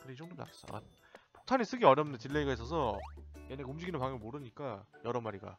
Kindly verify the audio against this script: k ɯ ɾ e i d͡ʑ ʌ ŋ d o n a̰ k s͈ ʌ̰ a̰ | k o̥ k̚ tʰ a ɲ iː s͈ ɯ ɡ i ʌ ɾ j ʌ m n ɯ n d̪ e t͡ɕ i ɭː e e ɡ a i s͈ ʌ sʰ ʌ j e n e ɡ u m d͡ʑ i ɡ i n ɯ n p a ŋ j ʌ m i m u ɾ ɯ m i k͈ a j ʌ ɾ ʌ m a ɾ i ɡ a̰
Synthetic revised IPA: k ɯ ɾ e i d͡ʑ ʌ ŋ d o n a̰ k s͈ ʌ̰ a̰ | p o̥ k̚ tʰ a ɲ i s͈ ɯ ɡ i ʌ ɾ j ʌ m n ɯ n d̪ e t͡ɕ i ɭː e i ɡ a i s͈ ʌ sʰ ʌ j e n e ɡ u m d͡ʑ i ɡ i n ɯ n p a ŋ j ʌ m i m o ɾ ɯ ɲ i k͈ a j ʌ ɾ ʌ m a ɾ i ɡ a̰